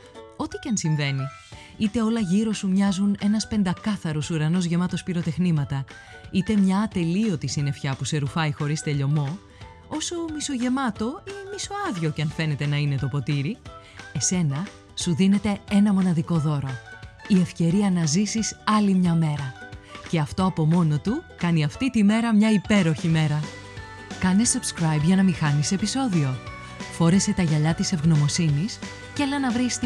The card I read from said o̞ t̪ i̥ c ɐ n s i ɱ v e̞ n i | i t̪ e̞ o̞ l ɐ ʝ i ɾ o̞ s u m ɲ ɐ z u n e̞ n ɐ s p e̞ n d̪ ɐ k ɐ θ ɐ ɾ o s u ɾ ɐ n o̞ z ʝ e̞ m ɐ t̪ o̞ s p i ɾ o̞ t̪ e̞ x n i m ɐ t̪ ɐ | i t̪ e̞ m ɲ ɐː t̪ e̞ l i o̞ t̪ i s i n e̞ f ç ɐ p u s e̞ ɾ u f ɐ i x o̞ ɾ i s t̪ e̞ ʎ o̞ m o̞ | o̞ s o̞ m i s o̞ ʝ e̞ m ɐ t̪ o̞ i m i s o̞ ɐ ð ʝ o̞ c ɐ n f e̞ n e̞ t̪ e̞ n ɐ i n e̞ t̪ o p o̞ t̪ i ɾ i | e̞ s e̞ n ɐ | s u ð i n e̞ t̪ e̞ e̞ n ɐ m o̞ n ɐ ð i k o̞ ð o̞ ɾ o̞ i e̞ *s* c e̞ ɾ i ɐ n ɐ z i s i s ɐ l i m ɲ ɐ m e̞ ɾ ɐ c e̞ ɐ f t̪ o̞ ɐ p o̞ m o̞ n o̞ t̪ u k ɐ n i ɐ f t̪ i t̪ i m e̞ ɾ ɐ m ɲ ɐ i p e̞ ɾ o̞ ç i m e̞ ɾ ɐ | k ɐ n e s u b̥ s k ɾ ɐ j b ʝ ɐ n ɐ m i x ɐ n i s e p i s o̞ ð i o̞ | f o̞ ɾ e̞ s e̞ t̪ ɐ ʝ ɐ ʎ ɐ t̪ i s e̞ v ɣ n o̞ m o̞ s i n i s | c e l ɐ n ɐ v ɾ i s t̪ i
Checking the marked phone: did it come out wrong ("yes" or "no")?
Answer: yes